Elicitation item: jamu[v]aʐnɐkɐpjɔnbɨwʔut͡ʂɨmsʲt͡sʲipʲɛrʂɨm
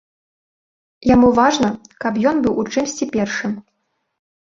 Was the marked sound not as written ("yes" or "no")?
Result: no